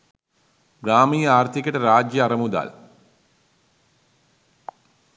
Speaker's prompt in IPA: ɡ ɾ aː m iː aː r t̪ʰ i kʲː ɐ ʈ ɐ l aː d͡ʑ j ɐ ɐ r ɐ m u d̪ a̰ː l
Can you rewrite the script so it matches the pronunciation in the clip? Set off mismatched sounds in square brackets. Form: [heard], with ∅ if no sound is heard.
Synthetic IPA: ɡ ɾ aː m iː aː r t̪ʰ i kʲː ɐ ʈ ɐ [ɾ] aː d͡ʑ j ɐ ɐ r ɐ m u d̪ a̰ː l